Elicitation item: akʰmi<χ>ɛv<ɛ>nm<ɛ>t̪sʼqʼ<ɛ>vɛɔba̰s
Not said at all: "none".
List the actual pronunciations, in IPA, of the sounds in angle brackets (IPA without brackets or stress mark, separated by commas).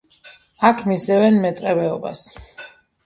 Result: s, ɛ, ɛ, ɛ